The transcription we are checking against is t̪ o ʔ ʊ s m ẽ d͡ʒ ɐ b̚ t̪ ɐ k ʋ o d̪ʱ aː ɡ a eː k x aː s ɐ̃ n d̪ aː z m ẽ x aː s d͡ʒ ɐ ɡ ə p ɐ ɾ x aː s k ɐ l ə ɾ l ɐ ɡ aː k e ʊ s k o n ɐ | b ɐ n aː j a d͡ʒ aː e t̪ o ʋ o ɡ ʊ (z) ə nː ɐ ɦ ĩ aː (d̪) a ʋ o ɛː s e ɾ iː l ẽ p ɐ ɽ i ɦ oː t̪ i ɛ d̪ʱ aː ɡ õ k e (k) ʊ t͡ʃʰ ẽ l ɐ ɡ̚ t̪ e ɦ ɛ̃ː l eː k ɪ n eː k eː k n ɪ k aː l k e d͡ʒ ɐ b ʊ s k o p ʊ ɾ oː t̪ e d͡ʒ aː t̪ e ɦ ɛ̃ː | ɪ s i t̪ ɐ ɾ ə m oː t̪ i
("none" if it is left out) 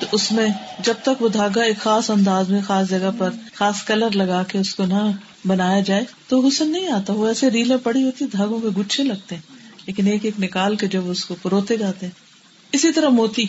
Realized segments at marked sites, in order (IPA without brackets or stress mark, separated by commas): s, t̪, ɡ